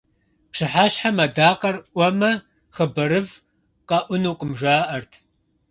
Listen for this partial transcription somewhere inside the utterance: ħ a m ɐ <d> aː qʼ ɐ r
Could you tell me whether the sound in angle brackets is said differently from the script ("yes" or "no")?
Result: no